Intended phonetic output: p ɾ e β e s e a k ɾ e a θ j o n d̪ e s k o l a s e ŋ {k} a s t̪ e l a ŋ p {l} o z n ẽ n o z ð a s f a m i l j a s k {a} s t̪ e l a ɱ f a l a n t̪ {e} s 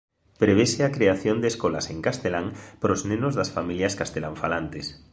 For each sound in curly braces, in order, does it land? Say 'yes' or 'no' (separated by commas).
yes, no, yes, yes